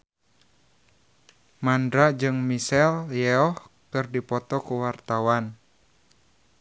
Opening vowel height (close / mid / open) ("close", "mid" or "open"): open